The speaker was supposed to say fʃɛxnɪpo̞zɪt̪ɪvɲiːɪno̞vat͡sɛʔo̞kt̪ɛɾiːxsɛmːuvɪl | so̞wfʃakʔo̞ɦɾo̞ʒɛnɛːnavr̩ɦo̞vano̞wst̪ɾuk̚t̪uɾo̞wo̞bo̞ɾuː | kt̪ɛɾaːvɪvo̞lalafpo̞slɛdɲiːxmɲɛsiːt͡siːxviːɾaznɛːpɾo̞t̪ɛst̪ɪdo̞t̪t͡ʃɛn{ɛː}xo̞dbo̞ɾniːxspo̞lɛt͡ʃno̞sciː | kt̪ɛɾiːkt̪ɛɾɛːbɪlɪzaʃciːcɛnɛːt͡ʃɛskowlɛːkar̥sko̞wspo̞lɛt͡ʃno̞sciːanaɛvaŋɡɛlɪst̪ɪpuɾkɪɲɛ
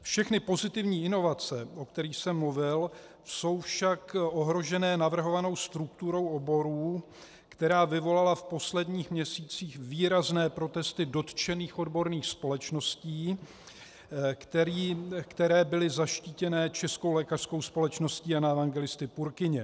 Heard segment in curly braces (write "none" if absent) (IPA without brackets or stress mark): iː